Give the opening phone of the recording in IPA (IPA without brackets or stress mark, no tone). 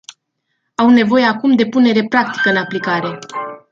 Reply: a